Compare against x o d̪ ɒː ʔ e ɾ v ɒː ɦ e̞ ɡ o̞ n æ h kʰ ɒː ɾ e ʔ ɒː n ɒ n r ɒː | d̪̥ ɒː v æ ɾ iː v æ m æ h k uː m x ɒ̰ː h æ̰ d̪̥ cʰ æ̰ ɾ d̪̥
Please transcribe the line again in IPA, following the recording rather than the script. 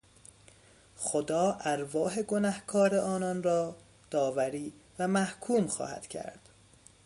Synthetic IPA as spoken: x o d̪ ɒː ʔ æ ɾ v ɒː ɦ e̞ ɡ o̞ n æ h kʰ ɒː ɾ e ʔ ɒː n ɒ n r ɒː | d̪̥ ɒː v æ ɾ iː v æ m æ h kʰ uː m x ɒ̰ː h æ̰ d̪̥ cʰ æ̰ ɾ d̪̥